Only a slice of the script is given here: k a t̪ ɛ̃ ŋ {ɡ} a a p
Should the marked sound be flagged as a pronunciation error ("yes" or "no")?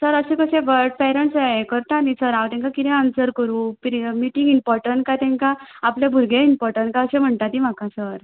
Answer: yes